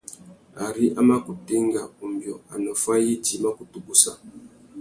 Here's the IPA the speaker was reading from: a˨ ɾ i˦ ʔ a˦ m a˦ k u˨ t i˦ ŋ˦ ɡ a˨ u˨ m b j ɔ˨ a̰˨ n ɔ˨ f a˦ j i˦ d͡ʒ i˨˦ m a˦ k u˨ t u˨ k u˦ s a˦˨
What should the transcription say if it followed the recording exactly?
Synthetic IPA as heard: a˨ ɾ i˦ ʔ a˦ m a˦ k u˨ t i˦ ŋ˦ ɡ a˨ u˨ m b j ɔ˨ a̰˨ n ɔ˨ f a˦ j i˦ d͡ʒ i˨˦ m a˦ k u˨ t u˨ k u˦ s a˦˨